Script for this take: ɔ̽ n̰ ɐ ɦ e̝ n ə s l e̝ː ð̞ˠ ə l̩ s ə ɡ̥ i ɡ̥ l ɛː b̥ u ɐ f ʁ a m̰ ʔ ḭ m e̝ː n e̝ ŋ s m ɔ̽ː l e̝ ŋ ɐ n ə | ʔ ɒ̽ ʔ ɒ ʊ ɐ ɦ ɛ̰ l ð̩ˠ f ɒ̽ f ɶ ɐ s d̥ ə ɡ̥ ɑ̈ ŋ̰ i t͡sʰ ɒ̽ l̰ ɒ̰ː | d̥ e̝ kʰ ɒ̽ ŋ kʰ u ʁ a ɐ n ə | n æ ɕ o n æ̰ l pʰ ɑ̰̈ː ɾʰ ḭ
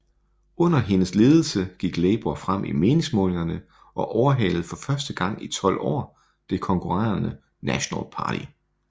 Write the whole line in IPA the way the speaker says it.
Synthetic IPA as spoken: ɔ̽ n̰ ɐ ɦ e̝ n ə s l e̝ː ð̞ˠ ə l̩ s ə ɡ̥ i ɡ̥ l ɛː b̥ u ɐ f ʁ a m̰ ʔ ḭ m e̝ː n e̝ ŋ s m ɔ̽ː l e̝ ŋ ɐ n ə | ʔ ɒ̽ ʔ ɒ ʊ ɐ ɦ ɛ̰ l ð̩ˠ f ɒ̽ f ɶ ɐ s d̥ ə ɡ̥ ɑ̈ ŋ̰ i t͡sʰ ɒ̽ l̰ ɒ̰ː | d̥ e̝ kʰ ɒ̽ ŋ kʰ u ʁ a ɐ n ə | n æ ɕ o n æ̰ l pʰ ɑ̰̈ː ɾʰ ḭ